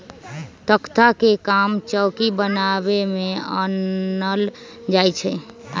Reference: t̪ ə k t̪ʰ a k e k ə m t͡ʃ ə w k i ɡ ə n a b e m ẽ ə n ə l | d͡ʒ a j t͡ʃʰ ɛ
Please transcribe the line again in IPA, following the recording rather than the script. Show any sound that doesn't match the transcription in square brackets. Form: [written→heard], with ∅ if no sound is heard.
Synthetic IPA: t̪ ə k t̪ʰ a k e k [ə→a] m t͡ʃ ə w k i [ɡ→b] ə n a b e m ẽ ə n ə l | d͡ʒ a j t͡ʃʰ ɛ